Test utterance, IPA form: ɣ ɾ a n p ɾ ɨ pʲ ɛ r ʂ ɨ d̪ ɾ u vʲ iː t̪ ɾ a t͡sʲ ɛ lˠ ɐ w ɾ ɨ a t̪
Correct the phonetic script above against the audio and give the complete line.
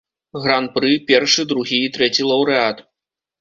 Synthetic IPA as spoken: ɣ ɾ a n p ɾ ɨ pʲ ɛ r ʂ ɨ d̪ ɾ u ɣʲ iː t̪ ɾ ɛ t͡sʲ i lˠ ɐ w ɾ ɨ a t̪

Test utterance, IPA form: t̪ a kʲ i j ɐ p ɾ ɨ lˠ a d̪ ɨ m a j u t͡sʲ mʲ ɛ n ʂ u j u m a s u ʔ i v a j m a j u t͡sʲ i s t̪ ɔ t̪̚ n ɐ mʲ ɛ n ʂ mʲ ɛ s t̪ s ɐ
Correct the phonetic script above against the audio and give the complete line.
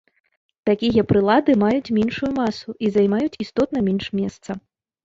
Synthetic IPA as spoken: t̪ a kʲ i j ɐ p ɾ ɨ lˠ a d̪ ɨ m a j u t͡sʲ mʲ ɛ n ʂ u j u m a s u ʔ i z a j m a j u t͡sʲ i s t̪ ɔ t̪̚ n ɐ mʲ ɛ n ʂ mʲ ɛ s t̪ s ɐ

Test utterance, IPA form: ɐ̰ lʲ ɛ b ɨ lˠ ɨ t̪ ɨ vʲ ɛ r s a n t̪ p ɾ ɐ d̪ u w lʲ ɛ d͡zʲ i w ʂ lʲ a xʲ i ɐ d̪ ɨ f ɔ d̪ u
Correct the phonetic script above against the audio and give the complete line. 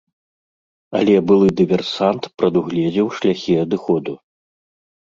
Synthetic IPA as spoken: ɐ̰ lʲ ɛ b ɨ lˠ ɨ d̪ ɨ vʲ ɛ r s a n t̪ p ɾ ɐ d̪ u ɣ lʲ ɛ d͡zʲ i w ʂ lʲ a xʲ i ɐ d̪ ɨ x ɔ d̪ u

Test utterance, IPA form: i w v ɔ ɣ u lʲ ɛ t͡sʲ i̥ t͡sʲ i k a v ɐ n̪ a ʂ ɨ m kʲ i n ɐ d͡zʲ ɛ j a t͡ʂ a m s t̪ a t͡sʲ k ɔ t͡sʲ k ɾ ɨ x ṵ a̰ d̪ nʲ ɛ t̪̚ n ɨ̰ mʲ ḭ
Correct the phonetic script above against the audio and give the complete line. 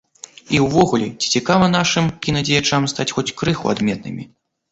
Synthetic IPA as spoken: i w v ɔ ɣ u lʲ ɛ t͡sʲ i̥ t͡sʲ i k a v ɐ n̪ a ʂ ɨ m kʲ i n ɐ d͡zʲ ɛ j a t͡ʂ a m s t̪ a t͡sʲ x ɔ t͡sʲ k ɾ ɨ x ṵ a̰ d̪ mʲ ɛ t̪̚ n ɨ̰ mʲ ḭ

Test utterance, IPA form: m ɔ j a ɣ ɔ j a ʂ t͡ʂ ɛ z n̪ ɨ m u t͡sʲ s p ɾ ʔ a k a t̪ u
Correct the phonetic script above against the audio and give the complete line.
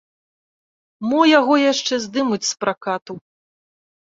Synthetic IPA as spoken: m ɔ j a ɣ ɔ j a ʂ t͡ʂ ɛ z d̪ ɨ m u t͡sʲ s p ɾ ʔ a k a t̪ u

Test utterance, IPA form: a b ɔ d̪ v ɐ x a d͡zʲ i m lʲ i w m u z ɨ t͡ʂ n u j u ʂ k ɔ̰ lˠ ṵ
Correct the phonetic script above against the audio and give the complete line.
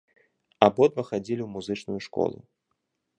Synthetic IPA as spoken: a b ɔ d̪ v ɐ x a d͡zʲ i lʲ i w m u z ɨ t͡ʂ n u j u ʂ k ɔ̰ lˠ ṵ

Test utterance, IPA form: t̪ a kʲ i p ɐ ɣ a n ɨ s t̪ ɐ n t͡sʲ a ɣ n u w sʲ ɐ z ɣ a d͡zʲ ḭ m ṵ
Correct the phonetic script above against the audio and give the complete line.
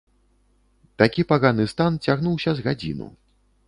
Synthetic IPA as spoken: t̪ a kʲ i p a ɣ a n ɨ s t̪ a n t͡sʲ a ɣ n u w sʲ ɐ z ɣ a d͡zʲ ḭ n ṵ

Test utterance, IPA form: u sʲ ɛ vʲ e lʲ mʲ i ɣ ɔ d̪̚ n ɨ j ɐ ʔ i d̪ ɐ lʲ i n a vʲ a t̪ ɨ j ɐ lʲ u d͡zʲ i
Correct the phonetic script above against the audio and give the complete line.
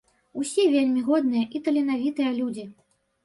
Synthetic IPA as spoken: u sʲ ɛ vʲ e lʲ mʲ i ɣ ɔ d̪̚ n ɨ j ɐ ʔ i t̪ ɐ lʲ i n a vʲ i t̪ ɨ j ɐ lʲ u d͡zʲ i

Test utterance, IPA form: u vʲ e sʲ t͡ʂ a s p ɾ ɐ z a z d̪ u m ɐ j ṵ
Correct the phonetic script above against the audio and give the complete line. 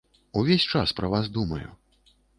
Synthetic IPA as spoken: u vʲ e sʲ t͡ʂ a s p ɾ ɐ v a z d̪ u m ɐ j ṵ

